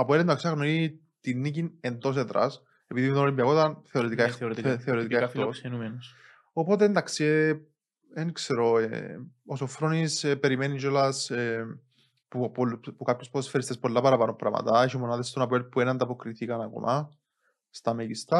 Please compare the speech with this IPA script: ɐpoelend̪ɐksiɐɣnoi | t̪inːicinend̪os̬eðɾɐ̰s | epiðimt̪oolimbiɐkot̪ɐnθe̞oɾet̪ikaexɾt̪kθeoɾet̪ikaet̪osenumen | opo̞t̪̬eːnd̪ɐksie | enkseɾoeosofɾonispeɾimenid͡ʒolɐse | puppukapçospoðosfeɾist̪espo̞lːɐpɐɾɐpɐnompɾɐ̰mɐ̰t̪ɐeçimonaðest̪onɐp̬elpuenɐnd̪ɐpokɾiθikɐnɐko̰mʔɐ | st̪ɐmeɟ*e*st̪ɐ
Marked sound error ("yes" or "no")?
yes